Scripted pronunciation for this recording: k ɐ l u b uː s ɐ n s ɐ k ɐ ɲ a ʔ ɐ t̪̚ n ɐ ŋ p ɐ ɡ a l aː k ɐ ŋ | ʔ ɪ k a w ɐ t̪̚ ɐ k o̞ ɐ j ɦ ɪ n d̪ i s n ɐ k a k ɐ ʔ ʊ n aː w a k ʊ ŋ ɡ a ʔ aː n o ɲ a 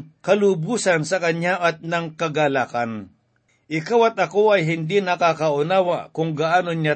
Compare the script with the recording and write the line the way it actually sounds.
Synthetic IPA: k ɐ l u b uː s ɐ n s ɐ k ɐ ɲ a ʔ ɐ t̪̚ n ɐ ŋ k ɐ ɡ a l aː k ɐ n | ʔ ɪ k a w ɐ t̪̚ ɐ k o̞ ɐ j ɦ ɪ n d̪ i n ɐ k a k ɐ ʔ ʊ n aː w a k ʊ ŋ ɡ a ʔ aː n o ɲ a